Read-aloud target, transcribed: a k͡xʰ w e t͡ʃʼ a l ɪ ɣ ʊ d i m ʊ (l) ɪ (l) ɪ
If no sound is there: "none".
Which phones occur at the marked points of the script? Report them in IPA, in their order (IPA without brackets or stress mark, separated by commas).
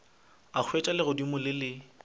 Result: l, l